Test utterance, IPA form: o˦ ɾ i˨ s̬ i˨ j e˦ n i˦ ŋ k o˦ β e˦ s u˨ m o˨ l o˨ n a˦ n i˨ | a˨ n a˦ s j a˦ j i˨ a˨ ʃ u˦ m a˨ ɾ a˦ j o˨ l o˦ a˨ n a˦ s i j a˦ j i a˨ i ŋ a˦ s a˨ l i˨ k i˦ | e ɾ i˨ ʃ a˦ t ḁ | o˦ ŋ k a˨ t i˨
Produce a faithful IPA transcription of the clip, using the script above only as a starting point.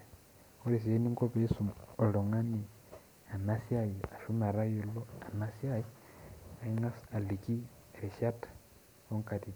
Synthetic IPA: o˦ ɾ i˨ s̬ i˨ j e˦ n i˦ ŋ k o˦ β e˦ s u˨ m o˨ l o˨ ŋ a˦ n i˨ | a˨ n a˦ s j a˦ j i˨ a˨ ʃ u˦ m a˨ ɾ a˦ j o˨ l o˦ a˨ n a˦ s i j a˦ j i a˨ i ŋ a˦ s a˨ l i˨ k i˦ | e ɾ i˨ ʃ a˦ t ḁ | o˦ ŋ k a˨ t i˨